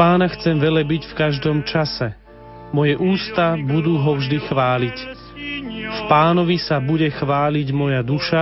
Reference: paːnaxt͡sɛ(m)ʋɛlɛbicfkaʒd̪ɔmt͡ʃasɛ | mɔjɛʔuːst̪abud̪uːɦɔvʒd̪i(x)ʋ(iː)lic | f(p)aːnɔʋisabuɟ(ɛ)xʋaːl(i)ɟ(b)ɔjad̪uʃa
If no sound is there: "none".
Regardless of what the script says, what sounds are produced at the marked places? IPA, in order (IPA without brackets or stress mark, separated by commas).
m, x, aː, p, ɛ, i, m